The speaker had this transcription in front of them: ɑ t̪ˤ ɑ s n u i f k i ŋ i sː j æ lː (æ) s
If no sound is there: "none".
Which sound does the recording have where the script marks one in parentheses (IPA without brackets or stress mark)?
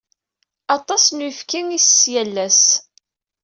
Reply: æ